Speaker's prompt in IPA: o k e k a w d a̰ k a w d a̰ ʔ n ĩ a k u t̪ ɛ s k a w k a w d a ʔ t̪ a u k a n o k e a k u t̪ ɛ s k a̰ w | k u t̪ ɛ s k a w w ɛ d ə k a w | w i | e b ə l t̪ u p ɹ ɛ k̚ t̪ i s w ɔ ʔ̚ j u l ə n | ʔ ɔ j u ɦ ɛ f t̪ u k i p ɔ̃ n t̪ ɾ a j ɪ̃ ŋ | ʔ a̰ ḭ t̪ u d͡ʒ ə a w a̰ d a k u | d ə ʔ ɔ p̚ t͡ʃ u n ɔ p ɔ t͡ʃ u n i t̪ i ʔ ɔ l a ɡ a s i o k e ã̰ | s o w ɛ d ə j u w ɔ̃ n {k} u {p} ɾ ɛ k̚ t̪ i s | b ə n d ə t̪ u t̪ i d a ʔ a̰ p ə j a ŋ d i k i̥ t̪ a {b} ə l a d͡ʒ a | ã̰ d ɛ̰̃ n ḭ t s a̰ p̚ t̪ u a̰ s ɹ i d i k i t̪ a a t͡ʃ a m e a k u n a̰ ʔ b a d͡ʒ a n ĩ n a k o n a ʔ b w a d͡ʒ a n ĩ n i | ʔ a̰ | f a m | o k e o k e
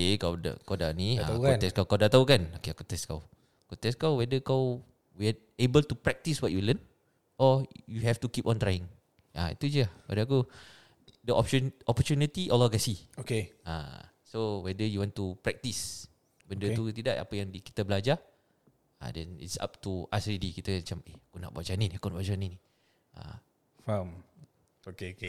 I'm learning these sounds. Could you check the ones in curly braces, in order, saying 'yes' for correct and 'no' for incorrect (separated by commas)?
no, yes, yes